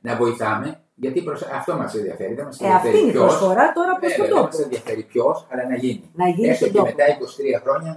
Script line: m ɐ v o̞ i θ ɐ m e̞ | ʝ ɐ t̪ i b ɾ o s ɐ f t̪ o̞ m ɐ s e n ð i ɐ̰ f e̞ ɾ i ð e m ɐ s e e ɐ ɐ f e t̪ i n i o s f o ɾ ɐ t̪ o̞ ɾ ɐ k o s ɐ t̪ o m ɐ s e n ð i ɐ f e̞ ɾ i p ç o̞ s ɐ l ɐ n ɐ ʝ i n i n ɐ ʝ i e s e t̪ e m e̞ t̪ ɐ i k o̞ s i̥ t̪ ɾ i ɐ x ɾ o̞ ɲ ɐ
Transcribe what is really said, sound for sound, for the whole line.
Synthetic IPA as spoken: n ɐ v o̞ i θ ɐ m e̞ | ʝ ɐ t̪ i p ɾ o s ɐ f t̪ o̞ m ɐ s e n ð i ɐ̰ f e̞ ɾ i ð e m ɐ s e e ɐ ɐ f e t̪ i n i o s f o ɾ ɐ t̪ o̞ ɾ ɐ p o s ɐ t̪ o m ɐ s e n ð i ɐ f e̞ ɾ i p ç o̞ s ɐ l ɐ n ɐ ʝ i n i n ɐ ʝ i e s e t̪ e m e̞ t̪ ɐ i k o̞ s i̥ t̪ ɾ i ɐ x ɾ o̞ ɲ ɐ